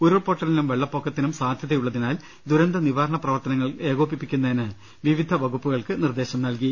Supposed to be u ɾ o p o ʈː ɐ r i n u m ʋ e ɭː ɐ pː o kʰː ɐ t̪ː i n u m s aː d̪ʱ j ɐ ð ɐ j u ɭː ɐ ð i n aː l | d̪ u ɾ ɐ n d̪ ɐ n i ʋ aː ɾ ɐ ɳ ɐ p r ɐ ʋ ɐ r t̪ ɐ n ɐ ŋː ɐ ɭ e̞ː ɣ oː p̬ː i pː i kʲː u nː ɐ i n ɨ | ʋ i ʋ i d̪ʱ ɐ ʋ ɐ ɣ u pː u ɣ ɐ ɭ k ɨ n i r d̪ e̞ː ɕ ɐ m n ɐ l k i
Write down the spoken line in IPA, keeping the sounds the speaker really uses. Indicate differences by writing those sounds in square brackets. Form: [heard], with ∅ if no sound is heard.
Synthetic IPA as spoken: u ɾ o p o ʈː ɐ [l] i n u m ʋ e ɭː ɐ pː o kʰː ɐ t̪ː i n u m s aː d̪ʱ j ɐ ð ɐ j u ɭː ɐ ð i n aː l | d̪ u ɾ ɐ n d̪ ɐ n i ʋ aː ɾ ɐ ɳ ɐ p r ɐ ʋ ɐ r t̪ ɐ n ɐ ŋː ɐ ɭ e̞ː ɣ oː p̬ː i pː i kʲː u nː ɐ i n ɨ | ʋ i ʋ i d̪ʱ ɐ ʋ ɐ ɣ u pː u ɣ ɐ ɭ k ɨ n i r d̪ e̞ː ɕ ɐ m n ɐ l k i